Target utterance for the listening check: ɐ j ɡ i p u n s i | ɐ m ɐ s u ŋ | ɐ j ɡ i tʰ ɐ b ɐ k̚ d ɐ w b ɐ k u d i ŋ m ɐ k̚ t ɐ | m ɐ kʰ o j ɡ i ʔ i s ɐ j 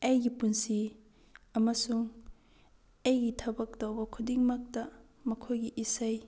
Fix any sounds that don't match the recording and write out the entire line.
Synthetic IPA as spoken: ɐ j ɡ i p u n s i | ɐ m ɐ s u ŋ | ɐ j ɡ i tʰ ɐ b ɐ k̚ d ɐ w b ɐ kʰ u d i ŋ m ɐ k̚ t ɐ | m ɐ kʰ o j ɡ i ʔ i s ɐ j